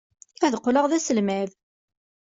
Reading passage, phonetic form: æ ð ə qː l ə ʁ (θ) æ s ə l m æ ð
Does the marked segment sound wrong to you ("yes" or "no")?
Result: yes